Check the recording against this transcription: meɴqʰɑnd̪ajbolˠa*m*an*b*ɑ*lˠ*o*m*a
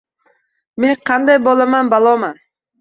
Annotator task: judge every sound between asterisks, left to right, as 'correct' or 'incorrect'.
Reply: correct, correct, correct, correct

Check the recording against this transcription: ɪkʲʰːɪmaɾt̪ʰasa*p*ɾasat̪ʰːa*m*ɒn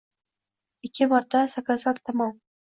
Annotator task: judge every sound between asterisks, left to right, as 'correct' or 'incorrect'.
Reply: incorrect: k, correct

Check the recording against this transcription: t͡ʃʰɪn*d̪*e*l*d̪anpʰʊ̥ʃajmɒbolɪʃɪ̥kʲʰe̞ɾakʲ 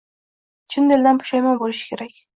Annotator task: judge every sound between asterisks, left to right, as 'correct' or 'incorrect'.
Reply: correct, correct

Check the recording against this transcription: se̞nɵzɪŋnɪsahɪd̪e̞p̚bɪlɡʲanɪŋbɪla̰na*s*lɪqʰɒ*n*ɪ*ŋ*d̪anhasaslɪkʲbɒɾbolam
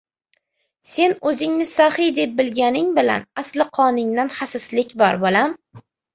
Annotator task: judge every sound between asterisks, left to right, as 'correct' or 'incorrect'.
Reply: correct, correct, correct

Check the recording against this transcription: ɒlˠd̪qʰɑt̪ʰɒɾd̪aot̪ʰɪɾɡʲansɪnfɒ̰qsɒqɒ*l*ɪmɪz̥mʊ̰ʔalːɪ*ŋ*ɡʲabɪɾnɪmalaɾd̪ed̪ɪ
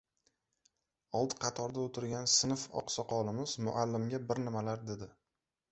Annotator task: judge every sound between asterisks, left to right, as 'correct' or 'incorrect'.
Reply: correct, incorrect: m

